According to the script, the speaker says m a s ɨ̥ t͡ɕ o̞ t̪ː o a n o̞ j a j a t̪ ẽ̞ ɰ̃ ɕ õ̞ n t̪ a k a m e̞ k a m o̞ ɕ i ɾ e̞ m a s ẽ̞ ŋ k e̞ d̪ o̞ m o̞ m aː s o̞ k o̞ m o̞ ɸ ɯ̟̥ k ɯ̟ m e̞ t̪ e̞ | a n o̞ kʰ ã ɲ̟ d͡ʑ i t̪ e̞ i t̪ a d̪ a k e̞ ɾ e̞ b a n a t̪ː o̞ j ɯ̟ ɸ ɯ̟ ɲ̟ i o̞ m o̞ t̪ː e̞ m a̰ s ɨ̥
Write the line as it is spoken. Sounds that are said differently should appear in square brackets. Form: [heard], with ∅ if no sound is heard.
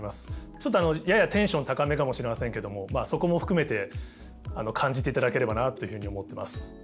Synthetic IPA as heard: m a s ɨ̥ t͡ɕ o̞ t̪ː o a n o̞ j a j a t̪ ẽ̞ ɰ̃ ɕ õ̞ n t̪ a k a m e̞ k a m o̞ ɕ i ɾ e̞ m a s ẽ̞ ŋ k e̞ d̪ o̞ m o̞ m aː s o̞ k o̞ m o̞ ɸ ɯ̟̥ k ɯ̟ m e̞ t̪ e̞ | a n o̞ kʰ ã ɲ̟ d͡ʑ i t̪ e̞ i t̪ a d̪ a k e̞ ɾ e̞ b a n a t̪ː o̞ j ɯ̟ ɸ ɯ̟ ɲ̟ i o̞ m o̞ t̪ː e̞ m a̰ s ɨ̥